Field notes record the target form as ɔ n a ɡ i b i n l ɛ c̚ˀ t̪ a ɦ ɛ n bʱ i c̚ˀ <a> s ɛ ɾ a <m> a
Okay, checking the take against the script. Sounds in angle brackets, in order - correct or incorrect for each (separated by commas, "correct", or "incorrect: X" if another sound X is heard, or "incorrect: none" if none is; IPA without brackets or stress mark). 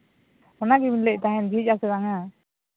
correct, incorrect: ŋ